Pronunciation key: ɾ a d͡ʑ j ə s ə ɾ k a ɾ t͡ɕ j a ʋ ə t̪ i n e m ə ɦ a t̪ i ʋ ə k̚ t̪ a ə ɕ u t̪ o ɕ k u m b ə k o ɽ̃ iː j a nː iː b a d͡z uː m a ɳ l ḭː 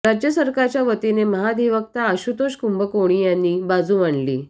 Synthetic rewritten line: ɾ a d͡ʑ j ə s ə ɾ k a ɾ t͡ɕ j a ʋ ə t̪ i n e m ə ɦ a d̪ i ʋ ə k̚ t̪ a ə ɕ u t̪ o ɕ k u m b ə k o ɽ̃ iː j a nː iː b a d͡z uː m a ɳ l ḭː